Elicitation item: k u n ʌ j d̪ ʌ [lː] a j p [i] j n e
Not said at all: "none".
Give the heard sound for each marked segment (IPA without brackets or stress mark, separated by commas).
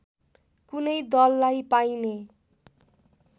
lː, a